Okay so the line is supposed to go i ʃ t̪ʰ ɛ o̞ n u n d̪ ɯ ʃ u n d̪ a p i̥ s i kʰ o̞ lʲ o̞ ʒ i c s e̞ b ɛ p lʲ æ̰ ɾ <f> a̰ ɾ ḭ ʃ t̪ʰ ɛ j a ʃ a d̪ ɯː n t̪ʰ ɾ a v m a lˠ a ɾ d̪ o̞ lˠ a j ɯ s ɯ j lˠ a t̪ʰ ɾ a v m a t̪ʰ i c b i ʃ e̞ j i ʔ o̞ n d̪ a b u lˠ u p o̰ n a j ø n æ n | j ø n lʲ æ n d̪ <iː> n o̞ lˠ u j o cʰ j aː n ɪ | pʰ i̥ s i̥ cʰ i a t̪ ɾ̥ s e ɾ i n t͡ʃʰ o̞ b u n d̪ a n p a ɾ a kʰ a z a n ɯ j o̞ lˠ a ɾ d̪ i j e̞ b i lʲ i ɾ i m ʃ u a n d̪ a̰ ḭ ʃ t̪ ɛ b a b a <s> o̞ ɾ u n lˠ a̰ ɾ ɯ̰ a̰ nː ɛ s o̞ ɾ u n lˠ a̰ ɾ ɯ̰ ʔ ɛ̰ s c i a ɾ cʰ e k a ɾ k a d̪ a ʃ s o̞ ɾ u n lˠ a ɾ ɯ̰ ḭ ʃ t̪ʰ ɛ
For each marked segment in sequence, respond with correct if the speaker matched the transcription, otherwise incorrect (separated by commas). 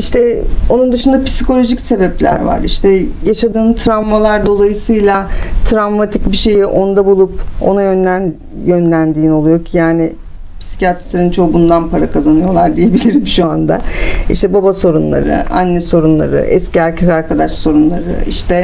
incorrect, correct, correct